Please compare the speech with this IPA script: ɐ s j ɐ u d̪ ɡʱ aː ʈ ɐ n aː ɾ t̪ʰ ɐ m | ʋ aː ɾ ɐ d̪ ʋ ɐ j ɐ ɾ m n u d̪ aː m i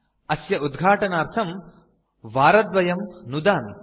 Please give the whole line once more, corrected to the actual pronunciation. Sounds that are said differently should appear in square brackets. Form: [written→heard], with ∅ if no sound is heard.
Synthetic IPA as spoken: ɐ s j ɐ u d̪ ɡʱ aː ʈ ɐ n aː ɾ t̪ʰ ɐ m | ʋ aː ɾ ɐ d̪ ʋ ɐ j ɐ [ɾ→∅] m n u d̪ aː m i